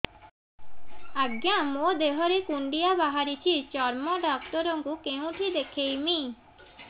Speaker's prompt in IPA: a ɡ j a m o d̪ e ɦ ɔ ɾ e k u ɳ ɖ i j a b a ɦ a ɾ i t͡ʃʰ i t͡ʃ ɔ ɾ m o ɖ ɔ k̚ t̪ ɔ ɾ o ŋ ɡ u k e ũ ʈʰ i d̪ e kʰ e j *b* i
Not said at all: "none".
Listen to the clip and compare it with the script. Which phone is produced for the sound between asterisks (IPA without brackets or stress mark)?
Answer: m